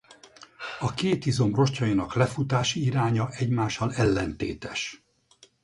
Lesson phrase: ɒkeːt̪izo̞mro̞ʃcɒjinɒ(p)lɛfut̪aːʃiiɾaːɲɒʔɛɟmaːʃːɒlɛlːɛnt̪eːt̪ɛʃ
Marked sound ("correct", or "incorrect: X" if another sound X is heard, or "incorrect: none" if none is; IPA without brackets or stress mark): incorrect: k